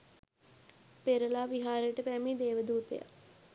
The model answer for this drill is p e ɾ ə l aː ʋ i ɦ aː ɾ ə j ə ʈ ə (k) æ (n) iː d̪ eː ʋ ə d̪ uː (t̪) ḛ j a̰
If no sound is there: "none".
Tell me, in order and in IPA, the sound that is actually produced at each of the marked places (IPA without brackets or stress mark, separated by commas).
p, m, t̪